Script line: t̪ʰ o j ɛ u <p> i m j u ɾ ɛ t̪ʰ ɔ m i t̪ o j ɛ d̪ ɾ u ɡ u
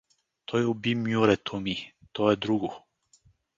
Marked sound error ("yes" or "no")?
yes